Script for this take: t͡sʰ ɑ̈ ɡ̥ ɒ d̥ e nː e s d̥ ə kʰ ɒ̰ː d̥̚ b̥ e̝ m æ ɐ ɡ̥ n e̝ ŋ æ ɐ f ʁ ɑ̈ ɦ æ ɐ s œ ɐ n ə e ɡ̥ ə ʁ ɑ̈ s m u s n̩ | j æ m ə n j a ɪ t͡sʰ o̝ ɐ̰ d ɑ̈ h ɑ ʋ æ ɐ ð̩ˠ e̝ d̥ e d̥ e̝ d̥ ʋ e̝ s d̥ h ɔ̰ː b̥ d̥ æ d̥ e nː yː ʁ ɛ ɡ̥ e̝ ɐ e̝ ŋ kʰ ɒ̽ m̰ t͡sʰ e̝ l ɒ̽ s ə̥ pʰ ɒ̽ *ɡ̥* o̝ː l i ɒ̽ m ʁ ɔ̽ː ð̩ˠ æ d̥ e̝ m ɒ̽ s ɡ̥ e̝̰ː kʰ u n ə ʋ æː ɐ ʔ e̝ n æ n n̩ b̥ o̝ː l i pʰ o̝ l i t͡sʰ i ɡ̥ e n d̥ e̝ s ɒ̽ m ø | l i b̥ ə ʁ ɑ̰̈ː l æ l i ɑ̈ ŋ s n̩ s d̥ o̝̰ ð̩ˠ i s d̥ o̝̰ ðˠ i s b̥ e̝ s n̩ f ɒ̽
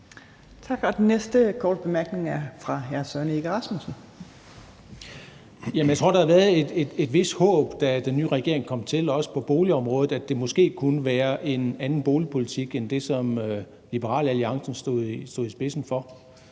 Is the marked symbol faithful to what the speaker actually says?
no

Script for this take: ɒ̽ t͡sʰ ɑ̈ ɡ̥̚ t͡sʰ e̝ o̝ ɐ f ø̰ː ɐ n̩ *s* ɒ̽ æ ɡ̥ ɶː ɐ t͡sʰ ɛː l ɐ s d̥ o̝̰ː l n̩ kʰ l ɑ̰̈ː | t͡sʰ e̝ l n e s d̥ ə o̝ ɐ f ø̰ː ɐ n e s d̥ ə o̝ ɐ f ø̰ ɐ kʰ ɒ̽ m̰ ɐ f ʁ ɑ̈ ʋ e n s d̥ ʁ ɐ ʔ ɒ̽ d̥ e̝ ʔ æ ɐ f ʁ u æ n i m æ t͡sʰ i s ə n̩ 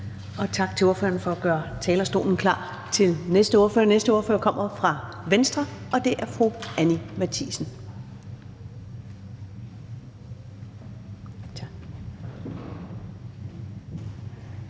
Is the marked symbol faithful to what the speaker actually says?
no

